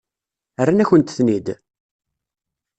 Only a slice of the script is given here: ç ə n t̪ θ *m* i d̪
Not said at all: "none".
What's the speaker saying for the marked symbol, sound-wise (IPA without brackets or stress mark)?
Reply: n